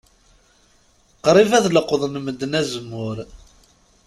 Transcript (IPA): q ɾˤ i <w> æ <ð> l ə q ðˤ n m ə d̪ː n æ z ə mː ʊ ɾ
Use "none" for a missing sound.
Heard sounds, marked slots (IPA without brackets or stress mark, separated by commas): v, ð